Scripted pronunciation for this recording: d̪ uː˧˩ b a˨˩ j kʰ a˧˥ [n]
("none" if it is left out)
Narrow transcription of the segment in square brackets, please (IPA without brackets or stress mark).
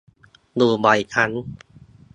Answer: n